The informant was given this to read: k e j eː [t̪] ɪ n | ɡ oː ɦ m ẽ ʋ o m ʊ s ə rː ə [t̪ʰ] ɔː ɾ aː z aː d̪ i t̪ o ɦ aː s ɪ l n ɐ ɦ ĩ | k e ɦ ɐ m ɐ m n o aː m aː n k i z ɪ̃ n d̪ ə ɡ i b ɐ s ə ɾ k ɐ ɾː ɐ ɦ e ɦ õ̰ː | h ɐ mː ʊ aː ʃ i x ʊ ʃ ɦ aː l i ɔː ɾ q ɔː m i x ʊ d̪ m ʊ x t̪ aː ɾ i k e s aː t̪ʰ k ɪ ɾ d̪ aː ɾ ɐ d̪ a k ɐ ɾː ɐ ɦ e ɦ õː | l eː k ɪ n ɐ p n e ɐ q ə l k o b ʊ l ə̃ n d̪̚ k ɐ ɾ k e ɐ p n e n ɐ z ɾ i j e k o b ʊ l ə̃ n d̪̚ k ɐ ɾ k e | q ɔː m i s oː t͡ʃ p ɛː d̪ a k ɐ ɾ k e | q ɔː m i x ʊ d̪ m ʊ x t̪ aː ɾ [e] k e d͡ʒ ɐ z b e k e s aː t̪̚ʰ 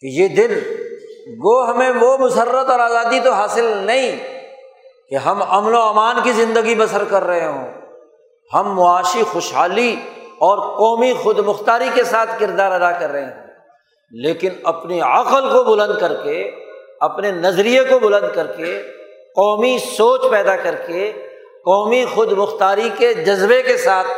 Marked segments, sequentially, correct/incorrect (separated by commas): incorrect, incorrect, incorrect